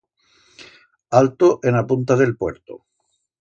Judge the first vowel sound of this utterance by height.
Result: low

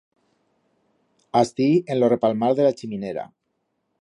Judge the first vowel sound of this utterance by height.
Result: low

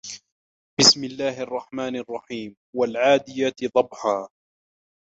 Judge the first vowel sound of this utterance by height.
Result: high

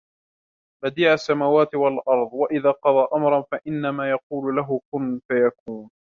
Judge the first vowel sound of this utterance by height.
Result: low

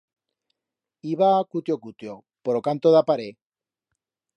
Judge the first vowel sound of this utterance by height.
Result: high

